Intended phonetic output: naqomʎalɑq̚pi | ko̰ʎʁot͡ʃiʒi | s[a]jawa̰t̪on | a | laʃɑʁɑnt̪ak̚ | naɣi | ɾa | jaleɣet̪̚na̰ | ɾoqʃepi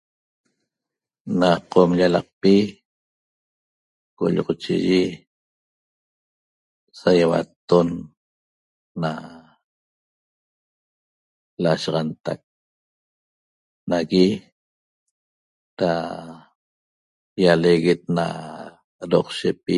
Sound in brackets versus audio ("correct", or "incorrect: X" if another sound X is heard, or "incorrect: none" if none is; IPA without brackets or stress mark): correct